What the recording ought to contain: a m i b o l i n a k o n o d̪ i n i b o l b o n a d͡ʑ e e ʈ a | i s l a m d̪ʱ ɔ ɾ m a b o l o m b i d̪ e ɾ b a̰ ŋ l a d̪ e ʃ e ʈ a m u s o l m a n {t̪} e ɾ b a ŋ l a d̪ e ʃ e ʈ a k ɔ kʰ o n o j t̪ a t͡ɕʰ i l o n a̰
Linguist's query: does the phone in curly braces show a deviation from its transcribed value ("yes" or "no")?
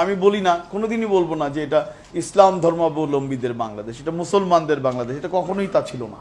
yes